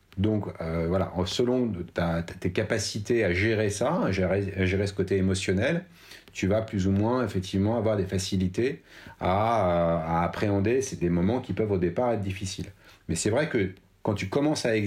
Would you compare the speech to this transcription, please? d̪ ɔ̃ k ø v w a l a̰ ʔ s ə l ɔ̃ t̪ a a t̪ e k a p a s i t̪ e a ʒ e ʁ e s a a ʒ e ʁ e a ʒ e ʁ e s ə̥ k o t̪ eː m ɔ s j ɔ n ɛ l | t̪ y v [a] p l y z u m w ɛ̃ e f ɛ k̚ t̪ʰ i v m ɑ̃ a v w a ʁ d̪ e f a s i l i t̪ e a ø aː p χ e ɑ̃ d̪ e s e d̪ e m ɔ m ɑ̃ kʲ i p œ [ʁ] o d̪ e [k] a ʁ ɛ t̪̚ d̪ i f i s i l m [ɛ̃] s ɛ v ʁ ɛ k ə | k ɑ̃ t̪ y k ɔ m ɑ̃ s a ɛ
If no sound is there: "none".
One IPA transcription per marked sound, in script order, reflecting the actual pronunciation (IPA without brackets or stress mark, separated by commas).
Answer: a, v, p, ɛ